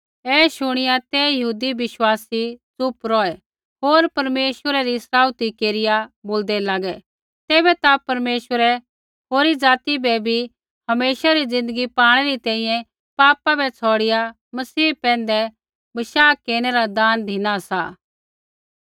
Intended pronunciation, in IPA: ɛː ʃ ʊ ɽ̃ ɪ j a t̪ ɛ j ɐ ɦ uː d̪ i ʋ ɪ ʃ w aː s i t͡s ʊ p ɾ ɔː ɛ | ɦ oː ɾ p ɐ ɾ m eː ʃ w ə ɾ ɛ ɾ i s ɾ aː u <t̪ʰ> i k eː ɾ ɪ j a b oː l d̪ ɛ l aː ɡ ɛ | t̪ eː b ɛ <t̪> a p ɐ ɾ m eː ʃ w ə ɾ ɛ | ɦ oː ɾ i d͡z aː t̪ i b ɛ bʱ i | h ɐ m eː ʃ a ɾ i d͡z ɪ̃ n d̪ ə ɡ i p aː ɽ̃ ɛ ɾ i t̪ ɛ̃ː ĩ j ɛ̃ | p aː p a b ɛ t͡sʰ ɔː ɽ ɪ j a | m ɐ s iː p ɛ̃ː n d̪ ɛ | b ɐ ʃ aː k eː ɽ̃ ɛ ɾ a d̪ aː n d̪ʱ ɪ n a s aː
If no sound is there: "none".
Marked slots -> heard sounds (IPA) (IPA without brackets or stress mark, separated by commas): t̪, t̪